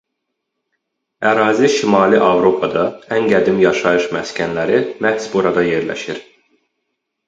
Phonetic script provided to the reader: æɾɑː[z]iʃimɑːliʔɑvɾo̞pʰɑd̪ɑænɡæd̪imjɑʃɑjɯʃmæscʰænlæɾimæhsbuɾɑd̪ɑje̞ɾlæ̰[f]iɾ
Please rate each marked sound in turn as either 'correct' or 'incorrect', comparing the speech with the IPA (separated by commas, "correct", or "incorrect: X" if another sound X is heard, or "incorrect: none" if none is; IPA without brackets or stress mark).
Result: correct, incorrect: ʃ